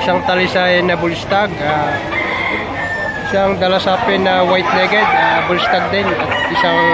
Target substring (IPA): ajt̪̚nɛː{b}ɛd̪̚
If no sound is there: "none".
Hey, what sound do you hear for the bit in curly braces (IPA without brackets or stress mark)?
ɡ